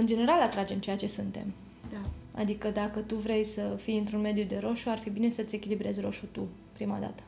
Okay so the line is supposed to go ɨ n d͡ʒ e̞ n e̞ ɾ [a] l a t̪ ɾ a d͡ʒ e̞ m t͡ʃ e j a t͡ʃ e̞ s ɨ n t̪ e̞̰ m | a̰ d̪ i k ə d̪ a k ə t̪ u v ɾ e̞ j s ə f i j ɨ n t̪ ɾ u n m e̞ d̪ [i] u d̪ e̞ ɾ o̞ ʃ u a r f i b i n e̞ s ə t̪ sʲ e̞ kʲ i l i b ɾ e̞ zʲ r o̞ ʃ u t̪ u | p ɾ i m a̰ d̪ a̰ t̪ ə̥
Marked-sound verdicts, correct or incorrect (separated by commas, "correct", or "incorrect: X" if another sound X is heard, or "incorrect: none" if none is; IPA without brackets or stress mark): correct, incorrect: j